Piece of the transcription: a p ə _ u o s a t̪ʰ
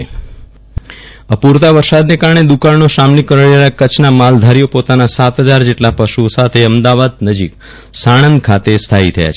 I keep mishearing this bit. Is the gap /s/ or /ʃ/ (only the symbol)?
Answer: ʃ